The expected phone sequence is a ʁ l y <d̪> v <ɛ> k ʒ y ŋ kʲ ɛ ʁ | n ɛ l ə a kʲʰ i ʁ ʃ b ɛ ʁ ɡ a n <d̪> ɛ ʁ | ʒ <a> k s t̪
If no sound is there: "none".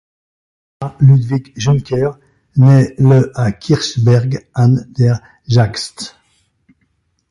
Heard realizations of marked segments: d̪, i, d̪, a

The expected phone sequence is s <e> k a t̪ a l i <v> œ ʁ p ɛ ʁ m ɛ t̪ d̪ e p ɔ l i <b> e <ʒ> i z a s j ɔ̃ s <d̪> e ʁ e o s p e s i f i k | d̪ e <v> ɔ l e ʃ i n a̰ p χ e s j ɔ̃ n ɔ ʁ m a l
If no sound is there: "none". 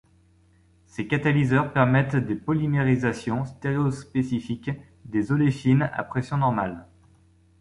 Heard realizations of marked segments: e, z, m, ʁ, t̪, z

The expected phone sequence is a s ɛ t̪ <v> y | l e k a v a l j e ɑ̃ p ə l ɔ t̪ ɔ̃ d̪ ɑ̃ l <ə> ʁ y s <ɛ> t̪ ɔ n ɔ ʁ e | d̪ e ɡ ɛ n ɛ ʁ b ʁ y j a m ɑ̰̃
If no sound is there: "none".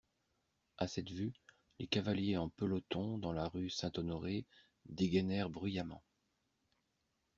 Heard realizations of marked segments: v, a, ɛ̃

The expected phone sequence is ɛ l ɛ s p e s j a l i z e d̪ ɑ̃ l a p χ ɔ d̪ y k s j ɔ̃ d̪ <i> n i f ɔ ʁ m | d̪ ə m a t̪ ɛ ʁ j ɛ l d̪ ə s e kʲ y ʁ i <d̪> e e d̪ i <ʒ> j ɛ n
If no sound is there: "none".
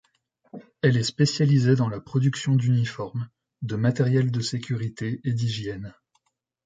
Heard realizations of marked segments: y, t̪, ʒ

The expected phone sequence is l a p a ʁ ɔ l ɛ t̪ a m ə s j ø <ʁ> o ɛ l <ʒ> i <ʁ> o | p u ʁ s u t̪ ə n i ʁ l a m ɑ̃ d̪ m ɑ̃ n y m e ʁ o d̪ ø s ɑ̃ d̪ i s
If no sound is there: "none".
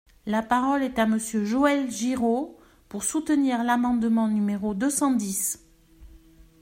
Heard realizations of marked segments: ʒ, ʒ, ʁ

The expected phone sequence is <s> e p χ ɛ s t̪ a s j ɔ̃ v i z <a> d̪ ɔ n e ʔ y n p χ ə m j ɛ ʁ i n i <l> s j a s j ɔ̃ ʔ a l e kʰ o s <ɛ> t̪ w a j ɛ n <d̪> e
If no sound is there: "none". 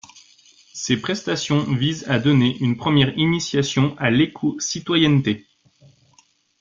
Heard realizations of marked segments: s, a, none, i, t̪

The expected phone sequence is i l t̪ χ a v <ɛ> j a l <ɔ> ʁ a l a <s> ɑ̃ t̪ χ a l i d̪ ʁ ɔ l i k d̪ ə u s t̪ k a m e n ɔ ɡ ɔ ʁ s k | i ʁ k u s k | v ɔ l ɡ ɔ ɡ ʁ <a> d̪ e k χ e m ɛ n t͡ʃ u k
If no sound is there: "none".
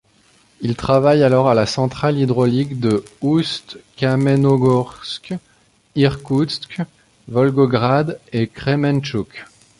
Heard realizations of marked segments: a, ɔ, s, a

